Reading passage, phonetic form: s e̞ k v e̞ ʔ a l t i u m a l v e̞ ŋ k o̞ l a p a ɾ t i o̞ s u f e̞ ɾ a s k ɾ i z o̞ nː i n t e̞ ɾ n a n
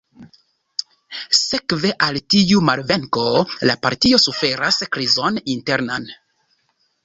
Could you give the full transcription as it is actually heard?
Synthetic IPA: s e̞ k v e̞ ʔ a l t i u m a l v e̞ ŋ k o̞ l a p a ɾ t i o̞ s u f e̞ ɾ a s k ɾ i z o̞ n i n t e̞ ɾ n a n